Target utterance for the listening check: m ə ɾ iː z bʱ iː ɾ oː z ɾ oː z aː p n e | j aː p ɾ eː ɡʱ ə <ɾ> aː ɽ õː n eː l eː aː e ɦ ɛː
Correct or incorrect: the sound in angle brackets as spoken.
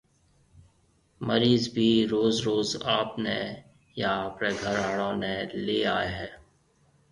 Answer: correct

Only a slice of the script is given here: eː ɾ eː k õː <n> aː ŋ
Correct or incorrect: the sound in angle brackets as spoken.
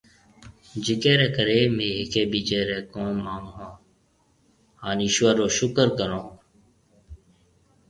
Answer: incorrect: m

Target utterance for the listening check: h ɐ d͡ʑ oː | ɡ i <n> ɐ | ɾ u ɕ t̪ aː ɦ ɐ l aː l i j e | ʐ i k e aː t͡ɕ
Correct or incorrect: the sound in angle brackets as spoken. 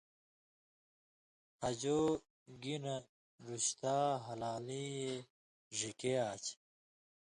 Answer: correct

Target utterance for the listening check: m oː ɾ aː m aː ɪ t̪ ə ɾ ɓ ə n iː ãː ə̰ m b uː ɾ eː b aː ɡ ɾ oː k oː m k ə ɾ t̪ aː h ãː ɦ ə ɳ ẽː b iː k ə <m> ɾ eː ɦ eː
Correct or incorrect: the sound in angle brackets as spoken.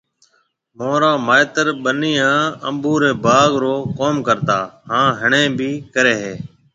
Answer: incorrect: none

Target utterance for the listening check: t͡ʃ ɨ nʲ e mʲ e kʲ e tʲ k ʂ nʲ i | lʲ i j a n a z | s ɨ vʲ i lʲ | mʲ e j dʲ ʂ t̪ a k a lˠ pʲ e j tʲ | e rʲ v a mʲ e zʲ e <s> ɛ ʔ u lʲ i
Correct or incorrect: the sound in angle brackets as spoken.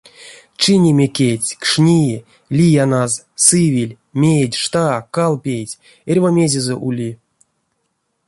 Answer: incorrect: z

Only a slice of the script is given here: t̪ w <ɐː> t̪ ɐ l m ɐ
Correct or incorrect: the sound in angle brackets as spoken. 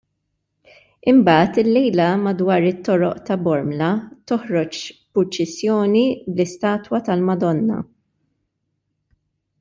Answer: incorrect: ɐ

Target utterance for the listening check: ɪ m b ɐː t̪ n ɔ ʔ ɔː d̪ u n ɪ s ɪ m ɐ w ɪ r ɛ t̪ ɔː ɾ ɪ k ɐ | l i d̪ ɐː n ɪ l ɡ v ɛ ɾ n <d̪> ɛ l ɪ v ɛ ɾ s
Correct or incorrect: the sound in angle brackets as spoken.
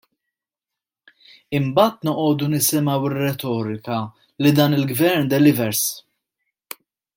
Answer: correct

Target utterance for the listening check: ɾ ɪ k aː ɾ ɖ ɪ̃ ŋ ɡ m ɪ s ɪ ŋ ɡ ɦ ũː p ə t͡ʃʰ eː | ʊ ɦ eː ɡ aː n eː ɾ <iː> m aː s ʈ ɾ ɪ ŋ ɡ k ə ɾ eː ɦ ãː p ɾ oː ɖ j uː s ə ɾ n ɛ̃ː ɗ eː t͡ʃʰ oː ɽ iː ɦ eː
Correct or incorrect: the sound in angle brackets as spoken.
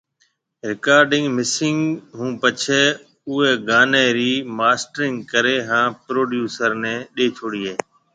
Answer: correct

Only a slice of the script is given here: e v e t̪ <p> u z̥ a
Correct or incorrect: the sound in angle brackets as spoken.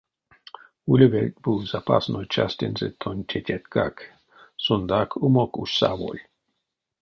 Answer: incorrect: b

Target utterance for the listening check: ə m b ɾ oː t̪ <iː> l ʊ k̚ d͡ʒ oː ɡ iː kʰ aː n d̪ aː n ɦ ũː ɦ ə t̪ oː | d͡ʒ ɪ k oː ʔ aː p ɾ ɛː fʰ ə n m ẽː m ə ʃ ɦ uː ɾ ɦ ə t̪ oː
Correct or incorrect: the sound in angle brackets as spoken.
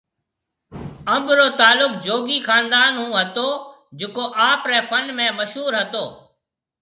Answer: incorrect: aː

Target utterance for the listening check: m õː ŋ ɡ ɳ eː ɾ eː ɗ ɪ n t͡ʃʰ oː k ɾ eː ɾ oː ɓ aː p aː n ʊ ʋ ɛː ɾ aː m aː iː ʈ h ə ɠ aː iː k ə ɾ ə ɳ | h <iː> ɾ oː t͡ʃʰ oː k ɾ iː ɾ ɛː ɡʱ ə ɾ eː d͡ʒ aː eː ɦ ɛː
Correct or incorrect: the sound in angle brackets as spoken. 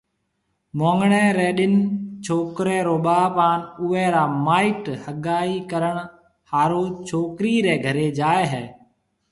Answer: incorrect: aː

